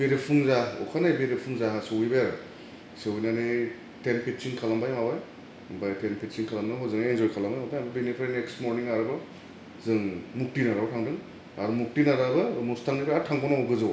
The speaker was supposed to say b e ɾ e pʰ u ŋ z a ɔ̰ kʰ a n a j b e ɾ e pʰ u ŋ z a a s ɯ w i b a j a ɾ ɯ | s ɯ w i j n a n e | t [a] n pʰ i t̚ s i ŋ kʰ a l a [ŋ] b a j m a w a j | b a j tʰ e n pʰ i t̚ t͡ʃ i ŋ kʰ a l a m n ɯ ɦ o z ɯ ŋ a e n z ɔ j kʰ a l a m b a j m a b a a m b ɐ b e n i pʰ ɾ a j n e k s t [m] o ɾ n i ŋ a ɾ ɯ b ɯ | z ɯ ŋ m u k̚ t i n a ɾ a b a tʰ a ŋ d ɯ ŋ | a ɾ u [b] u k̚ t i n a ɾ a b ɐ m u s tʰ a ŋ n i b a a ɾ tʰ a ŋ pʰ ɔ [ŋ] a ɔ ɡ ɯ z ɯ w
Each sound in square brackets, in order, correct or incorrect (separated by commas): incorrect, incorrect, correct, incorrect, incorrect